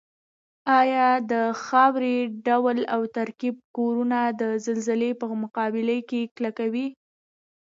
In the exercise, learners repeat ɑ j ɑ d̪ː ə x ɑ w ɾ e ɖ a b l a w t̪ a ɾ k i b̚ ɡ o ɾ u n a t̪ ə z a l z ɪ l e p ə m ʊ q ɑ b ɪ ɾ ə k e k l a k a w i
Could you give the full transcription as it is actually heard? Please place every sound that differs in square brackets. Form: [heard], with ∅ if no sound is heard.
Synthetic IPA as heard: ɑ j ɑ [d̪] ə x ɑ w ɾ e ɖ a [w] l a w t̪ a ɾ k i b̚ [k] o ɾ u n a [d̪] ə z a l z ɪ l e p ə m ʊ q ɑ b ɪ [l] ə k e k l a k a w i